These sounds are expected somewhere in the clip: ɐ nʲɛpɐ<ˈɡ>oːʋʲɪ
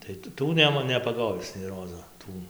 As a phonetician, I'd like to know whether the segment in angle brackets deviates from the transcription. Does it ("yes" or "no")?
no